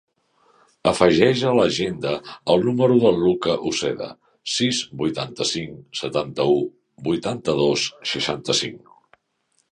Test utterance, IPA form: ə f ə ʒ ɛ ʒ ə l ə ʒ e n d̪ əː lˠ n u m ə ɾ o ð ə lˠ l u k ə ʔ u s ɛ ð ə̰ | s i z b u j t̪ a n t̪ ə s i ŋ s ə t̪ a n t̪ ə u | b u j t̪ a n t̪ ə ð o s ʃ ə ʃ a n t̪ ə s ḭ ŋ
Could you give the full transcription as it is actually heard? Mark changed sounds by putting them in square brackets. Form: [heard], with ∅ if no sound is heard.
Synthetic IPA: ə f ə ʒ ɛ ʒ ə l ə ʒ e n d̪ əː lˠ n u m ə ɾ [u] ð ə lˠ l u k ə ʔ u s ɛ ð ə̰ | s i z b u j t̪ a n t̪ ə s i ŋ s ə t̪ a n t̪ ə u | b u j t̪ a n t̪ ə ð o s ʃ ə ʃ a n t̪ ə s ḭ ŋ